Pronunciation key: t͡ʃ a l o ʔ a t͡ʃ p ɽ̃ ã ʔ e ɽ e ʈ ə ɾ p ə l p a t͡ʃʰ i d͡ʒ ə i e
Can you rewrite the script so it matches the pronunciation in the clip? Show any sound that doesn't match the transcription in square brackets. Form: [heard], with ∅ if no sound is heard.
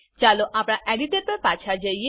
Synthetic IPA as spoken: t͡ʃ a l o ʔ a [∅] p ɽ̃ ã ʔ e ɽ [i] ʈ ə ɾ p ə [ɾ] p a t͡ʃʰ [a] d͡ʒ ə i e